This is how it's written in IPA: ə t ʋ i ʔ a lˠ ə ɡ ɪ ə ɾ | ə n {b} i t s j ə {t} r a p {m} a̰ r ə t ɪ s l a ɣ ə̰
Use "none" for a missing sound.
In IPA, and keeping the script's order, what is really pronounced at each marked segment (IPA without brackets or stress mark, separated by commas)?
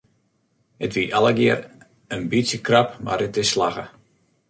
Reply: b, k, m